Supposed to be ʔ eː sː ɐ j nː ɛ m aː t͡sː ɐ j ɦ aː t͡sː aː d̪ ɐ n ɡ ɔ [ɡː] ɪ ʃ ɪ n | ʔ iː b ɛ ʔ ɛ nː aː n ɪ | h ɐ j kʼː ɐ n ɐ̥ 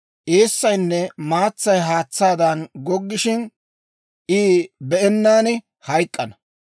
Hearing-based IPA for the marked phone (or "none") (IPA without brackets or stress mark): ɡː